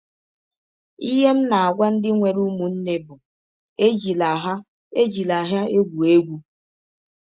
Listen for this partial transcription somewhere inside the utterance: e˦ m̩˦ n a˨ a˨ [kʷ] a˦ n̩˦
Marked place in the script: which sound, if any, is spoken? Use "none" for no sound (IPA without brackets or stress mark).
ɡʷ